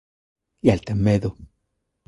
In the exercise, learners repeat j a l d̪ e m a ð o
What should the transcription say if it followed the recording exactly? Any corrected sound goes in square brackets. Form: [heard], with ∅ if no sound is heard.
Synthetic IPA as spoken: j a l [t̪] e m [e] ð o